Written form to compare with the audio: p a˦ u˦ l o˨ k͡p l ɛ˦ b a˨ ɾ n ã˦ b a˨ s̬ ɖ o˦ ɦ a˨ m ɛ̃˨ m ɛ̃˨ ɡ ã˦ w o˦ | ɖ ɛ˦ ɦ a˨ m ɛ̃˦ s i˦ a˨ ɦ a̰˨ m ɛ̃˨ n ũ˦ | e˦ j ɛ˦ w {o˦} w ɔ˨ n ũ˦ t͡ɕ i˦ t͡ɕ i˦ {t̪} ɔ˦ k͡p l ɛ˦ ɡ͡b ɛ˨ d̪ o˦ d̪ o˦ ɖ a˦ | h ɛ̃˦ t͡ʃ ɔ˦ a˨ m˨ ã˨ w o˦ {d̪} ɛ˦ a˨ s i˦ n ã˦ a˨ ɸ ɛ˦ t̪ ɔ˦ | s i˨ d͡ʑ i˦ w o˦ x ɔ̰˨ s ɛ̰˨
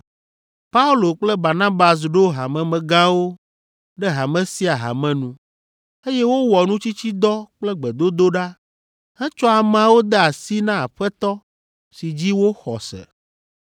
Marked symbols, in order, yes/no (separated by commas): yes, no, yes